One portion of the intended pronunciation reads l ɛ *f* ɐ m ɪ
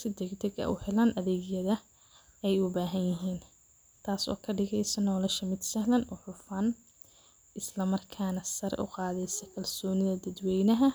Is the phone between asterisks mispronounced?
yes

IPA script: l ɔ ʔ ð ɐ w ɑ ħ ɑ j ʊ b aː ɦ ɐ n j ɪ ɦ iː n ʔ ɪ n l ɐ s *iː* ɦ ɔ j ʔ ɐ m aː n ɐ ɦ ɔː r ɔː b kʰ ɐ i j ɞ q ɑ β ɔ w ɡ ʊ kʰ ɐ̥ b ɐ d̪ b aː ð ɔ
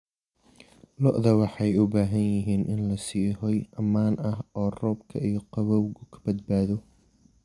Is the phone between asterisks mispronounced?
no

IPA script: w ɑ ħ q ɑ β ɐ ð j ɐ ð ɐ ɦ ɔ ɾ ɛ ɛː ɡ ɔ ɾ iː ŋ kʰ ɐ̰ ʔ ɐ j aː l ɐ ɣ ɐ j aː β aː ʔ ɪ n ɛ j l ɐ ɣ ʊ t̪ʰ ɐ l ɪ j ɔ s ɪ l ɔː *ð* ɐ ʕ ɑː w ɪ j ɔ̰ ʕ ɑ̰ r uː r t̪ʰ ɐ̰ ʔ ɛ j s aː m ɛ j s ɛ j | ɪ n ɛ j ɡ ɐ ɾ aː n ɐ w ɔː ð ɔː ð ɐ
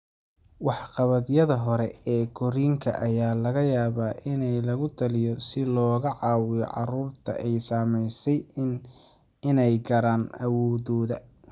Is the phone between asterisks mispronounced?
yes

